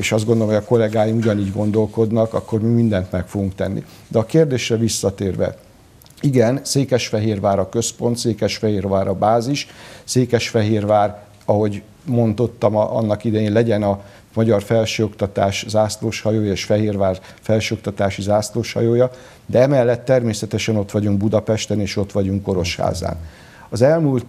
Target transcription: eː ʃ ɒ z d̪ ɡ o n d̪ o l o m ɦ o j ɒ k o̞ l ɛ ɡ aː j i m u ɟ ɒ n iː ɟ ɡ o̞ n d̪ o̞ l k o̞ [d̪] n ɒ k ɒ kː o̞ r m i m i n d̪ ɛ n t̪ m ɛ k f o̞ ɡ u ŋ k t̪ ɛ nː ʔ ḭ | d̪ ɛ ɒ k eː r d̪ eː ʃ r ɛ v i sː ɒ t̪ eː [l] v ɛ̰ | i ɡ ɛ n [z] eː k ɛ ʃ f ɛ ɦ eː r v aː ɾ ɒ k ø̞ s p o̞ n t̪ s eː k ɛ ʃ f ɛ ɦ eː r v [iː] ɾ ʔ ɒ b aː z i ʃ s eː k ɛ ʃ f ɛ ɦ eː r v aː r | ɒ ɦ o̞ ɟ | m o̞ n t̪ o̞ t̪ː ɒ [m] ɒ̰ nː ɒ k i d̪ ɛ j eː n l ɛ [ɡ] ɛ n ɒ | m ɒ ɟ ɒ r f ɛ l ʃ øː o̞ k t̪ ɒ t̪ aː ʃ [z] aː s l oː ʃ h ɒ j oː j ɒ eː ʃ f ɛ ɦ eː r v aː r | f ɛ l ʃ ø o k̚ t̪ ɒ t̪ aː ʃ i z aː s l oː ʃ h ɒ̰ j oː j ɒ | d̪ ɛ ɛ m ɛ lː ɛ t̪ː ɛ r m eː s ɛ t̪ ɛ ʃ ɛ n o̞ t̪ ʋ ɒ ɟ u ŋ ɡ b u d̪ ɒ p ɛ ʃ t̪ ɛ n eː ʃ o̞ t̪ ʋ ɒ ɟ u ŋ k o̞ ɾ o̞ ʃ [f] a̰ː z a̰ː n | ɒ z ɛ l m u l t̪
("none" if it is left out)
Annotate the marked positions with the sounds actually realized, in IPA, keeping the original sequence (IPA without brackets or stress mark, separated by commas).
d̪, r, s, aː, m, ɟ, z, h